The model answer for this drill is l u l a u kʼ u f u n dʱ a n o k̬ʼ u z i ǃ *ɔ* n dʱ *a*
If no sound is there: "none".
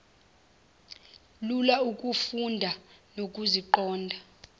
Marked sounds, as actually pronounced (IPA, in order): ɔː, a

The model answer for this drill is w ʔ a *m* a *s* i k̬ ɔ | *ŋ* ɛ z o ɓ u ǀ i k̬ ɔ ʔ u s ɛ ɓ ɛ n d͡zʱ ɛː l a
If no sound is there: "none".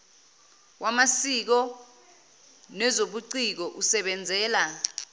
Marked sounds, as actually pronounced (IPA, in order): m, s, n

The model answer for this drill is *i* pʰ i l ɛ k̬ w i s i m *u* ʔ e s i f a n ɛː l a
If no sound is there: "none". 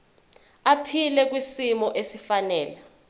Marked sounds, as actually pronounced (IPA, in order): a, ɔ

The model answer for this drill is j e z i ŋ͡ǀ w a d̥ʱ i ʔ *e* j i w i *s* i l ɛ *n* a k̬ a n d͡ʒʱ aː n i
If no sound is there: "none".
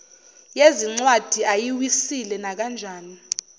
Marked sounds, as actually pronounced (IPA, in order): a, s, n

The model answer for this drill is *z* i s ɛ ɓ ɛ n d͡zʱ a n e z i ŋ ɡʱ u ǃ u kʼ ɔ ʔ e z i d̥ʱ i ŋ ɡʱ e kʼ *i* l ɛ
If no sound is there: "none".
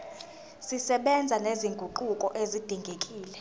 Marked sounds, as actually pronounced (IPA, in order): s, iː

